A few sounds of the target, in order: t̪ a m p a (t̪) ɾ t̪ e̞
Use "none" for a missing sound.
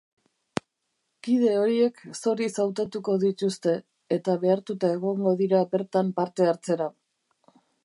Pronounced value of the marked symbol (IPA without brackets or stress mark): none